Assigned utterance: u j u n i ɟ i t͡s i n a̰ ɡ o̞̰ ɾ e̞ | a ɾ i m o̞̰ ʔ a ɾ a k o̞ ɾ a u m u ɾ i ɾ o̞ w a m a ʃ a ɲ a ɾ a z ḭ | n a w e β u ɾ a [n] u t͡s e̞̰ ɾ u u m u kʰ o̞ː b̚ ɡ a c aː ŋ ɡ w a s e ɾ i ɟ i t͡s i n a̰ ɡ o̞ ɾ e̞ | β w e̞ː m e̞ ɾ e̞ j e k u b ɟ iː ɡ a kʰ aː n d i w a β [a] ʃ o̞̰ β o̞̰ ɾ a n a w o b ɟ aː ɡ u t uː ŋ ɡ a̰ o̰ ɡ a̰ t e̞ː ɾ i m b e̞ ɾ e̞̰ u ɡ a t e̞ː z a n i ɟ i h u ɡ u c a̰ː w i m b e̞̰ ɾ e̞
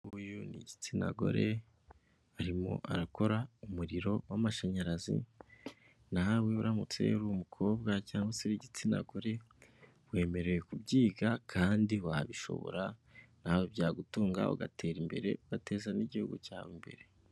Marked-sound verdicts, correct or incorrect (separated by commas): incorrect, incorrect